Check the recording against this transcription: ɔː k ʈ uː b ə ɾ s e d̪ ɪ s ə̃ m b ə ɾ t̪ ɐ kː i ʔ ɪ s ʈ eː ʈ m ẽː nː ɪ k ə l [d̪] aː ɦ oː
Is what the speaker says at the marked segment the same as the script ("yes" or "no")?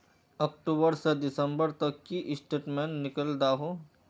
yes